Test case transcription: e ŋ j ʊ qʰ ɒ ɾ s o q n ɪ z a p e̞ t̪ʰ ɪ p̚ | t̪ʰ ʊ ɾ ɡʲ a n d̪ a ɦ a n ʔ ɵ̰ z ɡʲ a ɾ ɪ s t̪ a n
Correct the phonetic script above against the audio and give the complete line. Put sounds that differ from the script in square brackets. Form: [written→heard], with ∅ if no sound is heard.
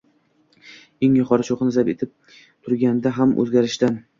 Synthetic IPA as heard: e ŋ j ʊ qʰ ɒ ɾ [s→ʃ] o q n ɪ z a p e̞ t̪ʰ ɪ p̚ | t̪ʰ ʊ ɾ ɡʲ a n d̪ a ɦ a [n→m] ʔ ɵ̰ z ɡʲ a ɾ ɪ [s→ʃ] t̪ a n